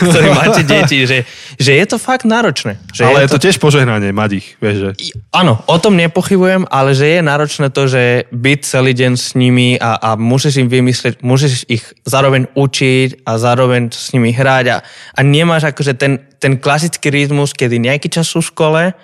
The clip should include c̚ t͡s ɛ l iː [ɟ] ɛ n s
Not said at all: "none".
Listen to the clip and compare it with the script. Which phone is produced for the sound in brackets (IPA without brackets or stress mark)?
ɟ